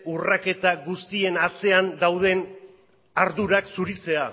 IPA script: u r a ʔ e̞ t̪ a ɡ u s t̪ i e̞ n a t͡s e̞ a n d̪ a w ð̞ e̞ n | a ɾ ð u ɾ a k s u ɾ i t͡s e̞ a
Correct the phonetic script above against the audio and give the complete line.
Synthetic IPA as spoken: u r a k e̞ t̪ a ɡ u s t̪ i e̞ n a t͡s e̞ a n d̪ a w ð̞ e̞ n | a ɾ ð u ɾ a k s u ɾ i t͡s e̞ a